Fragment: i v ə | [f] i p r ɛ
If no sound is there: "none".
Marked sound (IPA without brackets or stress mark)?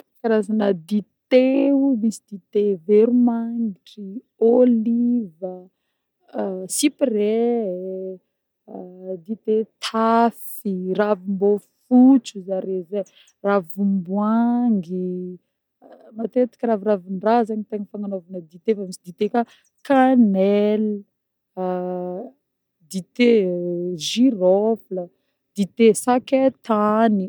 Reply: s